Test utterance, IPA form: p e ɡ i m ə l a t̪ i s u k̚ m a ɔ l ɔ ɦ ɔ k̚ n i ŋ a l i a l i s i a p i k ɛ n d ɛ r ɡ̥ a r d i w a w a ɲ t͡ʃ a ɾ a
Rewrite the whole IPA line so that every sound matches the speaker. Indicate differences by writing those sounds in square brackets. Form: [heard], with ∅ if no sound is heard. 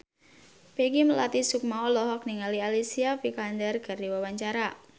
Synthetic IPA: p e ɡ i m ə l a t̪ i s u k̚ m a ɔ l ɔ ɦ ɔ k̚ n i ŋ a l i a l i s i a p i k [a] n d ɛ r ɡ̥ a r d i w a w a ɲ t͡ʃ a ɾ a